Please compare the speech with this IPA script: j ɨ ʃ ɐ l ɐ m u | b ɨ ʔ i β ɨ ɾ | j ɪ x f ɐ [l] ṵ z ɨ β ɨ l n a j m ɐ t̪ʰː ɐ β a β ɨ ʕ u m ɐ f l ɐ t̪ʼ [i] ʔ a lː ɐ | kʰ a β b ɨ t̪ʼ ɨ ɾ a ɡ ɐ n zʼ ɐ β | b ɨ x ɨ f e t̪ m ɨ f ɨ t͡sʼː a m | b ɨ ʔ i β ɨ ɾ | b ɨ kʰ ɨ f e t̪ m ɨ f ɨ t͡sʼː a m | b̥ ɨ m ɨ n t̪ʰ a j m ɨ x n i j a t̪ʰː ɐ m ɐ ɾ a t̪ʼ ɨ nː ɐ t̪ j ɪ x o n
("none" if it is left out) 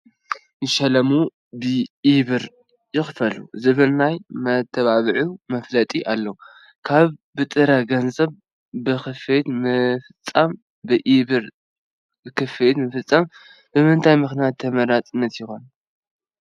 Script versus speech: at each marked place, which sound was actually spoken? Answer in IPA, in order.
l, i

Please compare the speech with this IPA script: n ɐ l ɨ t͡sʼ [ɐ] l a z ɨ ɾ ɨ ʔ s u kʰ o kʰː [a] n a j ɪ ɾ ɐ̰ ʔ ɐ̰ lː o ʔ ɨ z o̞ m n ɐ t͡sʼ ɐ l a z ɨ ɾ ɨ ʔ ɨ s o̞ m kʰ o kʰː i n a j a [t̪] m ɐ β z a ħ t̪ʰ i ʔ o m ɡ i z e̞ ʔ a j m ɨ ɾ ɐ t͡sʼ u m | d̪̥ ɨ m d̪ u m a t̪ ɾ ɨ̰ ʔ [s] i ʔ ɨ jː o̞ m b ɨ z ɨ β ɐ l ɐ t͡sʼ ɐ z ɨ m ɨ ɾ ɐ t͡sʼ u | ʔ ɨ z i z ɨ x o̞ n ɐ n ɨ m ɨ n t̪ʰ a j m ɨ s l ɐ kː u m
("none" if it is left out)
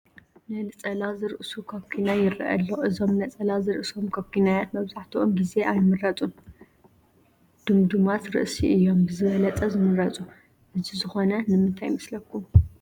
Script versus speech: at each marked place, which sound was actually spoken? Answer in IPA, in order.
ɐ, i, t̪, s

